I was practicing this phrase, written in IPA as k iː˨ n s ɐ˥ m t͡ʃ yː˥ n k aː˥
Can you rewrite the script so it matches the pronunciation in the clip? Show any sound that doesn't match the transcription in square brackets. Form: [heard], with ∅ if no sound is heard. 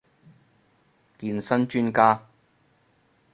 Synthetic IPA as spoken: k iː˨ n s ɐ˥ [n] t͡ʃ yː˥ n k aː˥